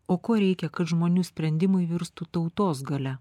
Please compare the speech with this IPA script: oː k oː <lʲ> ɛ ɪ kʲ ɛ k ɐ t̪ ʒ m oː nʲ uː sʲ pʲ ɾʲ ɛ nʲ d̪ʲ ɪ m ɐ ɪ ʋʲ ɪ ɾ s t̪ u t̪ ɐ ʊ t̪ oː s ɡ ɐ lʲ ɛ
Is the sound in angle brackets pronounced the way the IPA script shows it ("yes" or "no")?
no